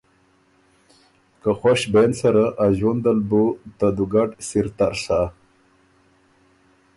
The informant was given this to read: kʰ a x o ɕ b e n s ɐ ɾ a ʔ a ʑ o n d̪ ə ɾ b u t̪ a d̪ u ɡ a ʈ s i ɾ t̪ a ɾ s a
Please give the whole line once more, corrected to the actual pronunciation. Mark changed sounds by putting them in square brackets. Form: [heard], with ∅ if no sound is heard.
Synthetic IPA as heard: [k] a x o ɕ b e n s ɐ ɾ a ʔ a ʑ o n d̪ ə [l] b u t̪ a d̪ u ɡ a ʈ s i ɾ t̪ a ɾ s a